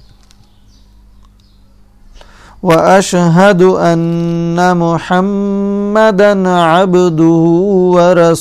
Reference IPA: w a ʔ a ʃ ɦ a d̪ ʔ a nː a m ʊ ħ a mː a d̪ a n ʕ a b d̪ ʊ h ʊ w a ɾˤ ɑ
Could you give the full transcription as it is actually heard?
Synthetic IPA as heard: w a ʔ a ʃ ɦ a d̪ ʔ a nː a m ʊ ħ a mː a d̪ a n ʕ a b d̪ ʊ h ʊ w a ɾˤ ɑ